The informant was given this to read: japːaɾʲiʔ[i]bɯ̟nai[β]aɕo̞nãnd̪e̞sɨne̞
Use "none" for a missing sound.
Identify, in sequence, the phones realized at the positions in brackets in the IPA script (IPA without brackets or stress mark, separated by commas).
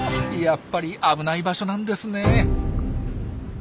a, b